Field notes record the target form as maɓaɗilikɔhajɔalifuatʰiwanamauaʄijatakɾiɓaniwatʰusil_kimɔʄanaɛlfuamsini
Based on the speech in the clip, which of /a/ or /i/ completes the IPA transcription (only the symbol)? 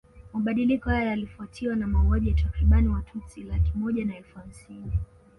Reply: a